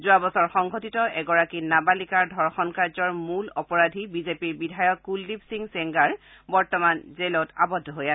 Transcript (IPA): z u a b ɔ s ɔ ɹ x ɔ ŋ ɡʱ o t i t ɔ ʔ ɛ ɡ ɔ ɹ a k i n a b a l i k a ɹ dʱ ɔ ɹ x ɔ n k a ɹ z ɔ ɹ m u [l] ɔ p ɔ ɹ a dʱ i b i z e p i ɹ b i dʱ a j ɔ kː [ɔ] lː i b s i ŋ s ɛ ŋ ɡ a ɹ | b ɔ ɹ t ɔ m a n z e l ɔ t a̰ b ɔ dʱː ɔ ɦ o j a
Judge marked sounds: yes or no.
yes, no

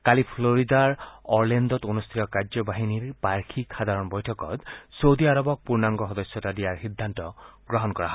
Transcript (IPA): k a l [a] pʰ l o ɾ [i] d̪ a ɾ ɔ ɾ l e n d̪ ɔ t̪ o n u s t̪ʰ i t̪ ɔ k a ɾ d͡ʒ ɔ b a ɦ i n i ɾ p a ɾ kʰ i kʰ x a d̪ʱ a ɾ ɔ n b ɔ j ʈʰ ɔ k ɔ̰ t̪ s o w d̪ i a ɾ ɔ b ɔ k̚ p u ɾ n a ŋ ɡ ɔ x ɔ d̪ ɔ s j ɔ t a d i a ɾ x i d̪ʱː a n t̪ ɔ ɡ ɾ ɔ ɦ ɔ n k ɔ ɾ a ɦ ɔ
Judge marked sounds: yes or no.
no, yes

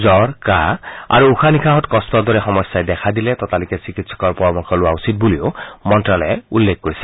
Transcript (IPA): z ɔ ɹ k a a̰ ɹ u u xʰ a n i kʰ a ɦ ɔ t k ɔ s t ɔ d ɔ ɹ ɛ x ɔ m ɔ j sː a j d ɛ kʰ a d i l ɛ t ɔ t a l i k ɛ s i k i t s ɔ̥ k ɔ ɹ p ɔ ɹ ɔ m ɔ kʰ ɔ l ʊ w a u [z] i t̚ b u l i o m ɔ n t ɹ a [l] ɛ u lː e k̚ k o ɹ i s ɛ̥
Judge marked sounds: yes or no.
no, yes

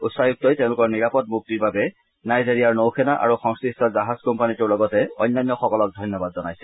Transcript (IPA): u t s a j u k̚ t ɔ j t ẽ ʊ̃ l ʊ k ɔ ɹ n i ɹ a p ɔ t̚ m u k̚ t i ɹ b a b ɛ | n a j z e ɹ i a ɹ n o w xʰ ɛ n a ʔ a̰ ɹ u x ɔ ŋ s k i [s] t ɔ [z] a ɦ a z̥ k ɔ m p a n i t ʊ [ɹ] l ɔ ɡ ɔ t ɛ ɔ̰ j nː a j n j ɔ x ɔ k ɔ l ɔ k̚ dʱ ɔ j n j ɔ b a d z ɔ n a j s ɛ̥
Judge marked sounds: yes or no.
yes, yes, yes

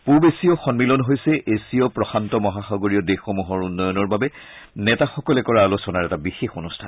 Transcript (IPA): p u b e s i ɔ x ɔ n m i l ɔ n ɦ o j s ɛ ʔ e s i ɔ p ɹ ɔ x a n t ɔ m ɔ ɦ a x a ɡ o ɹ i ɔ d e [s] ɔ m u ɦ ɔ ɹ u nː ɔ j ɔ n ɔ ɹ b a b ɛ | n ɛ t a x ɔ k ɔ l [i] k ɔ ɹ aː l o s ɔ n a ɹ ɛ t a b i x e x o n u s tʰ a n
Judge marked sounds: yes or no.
no, no

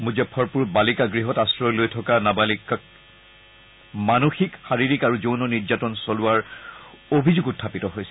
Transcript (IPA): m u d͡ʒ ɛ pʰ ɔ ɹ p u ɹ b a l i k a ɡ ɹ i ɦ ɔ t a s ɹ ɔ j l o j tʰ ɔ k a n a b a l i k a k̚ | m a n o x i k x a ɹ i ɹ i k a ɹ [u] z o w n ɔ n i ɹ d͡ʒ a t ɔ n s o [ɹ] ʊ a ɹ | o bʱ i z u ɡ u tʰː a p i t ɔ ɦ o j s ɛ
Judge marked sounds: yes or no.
yes, no

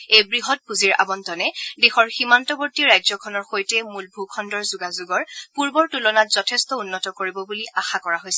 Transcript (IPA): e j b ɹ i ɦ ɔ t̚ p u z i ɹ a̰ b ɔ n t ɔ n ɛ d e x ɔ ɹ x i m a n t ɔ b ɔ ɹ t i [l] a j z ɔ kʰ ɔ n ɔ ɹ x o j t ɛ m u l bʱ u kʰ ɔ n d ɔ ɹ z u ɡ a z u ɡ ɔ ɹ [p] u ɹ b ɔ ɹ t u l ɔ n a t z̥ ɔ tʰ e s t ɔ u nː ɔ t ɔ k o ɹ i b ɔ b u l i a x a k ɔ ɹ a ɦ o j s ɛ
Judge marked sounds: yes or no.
no, yes

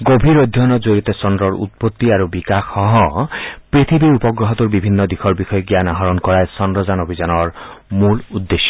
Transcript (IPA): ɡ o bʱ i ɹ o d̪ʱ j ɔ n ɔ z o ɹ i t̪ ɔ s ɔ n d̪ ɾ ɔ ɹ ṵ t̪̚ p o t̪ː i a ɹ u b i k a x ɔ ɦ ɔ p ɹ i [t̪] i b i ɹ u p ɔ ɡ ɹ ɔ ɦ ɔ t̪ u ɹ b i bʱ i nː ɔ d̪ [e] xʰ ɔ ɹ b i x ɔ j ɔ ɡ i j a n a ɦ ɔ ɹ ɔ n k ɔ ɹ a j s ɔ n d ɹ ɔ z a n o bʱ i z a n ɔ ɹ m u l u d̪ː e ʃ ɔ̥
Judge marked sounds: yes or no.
no, no

